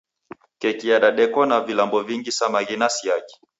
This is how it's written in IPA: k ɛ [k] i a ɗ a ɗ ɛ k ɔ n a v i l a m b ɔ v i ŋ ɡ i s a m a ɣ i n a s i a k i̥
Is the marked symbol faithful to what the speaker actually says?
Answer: yes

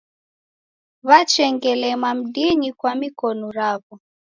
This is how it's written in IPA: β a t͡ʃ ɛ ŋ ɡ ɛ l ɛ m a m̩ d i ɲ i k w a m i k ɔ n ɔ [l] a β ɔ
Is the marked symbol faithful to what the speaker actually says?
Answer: no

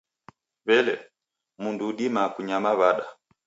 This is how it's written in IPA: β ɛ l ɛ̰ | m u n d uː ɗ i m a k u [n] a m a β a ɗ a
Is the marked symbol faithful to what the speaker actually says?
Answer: no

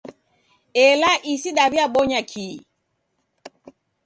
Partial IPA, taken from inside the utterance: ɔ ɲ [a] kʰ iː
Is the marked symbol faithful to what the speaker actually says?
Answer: yes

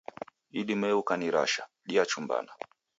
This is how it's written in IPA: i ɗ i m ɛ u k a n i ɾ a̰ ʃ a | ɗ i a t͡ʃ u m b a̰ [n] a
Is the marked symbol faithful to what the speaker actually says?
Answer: yes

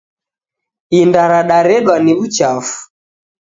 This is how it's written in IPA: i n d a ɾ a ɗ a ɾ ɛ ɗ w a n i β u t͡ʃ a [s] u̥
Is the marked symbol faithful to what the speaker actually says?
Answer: no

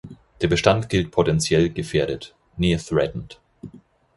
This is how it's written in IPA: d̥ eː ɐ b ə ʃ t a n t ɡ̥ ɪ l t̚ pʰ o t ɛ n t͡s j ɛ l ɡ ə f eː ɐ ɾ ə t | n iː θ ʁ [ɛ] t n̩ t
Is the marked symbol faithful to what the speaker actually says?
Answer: yes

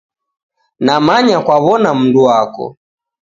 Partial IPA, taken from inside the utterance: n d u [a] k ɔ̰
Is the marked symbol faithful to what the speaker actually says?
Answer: yes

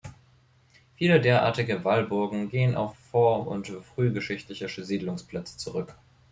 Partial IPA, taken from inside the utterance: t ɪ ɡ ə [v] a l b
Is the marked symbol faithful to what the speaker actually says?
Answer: yes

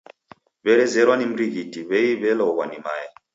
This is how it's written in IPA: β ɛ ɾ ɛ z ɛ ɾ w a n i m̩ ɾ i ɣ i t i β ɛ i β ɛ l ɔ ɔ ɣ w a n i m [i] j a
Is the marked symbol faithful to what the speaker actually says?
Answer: no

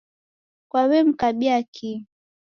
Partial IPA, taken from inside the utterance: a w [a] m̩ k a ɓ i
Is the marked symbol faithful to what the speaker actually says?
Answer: no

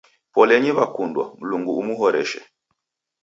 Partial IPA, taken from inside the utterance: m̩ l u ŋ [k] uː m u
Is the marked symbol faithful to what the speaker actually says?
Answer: no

